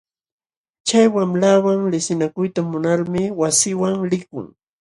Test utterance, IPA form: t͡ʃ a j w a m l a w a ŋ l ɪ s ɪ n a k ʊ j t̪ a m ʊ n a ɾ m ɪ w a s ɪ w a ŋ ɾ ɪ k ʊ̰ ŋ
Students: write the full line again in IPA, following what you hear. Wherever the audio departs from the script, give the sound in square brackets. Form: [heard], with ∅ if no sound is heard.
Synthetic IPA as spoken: t͡ʃ a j w a m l a w a ŋ l ɪ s ɪ n a k ʊ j t̪ a m ʊ n a ɾ m ɪ w a s ɪ w a ŋ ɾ ɪ k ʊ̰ ŋ